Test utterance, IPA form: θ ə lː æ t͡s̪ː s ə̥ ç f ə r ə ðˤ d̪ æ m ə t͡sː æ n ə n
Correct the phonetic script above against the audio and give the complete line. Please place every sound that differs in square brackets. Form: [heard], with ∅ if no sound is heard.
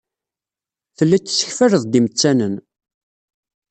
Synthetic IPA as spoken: θ ə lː æ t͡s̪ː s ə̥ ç f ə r ə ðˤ d̪ [i] m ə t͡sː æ n ə n